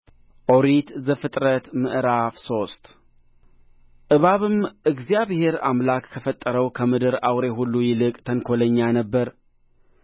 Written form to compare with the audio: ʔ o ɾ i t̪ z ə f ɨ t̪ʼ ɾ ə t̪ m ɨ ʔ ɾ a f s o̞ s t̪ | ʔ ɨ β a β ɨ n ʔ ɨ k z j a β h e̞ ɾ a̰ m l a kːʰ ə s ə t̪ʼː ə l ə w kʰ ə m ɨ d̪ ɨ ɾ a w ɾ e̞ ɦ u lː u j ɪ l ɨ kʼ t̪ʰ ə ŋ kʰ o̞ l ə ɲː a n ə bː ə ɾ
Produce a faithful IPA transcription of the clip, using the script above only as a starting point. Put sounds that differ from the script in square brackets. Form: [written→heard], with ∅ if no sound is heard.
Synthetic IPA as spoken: ʔ o ɾ i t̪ z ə f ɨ t̪ʼ ɾ ə t̪ m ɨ ʔ ɾ a f s o̞ s t̪ | ʔ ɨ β a β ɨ [n→m] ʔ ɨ [k→ɡ] z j a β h e̞ ɾ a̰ m l a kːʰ ə [s→f] ə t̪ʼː ə [l→ɾ] ə w kʰ ə m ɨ d̪ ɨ ɾ a w ɾ e̞ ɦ u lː u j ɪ l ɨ kʼ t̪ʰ ə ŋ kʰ o̞ l ə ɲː a n ə bː ə ɾ